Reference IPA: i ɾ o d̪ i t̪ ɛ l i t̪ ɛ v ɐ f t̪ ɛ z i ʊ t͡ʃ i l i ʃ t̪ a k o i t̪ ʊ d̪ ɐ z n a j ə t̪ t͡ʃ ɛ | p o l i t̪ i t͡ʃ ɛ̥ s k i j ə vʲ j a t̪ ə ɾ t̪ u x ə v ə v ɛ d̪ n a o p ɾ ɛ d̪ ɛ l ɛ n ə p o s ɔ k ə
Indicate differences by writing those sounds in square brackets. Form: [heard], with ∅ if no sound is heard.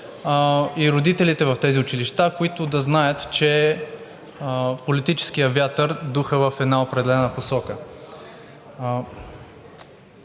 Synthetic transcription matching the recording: i ɾ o d̪ i t̪ ɛ l i t̪ ɛ v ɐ f t̪ ɛ z i ʊ t͡ʃ i l i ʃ t̪ a k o i t̪ ʊ d̪ ɐ z n a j ə t̪ t͡ʃ ɛ | p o l i t̪ i t͡ʃ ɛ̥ s k i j ə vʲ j a t̪ ə ɾ [d̪] u x ə v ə [f] ɛ d̪ n a o p ɾ ɛ d̪ ɛ l ɛ n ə p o s ɔ k ə